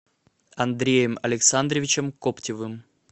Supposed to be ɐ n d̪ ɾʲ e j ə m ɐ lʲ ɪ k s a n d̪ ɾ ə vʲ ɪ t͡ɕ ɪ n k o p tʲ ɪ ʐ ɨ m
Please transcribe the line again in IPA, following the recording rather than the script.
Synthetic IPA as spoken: ɐ n d̪ ɾʲ e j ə m ɐ lʲ ɪ k s a n d̪ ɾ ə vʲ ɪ t͡ɕ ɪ m k o p tʲ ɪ v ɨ m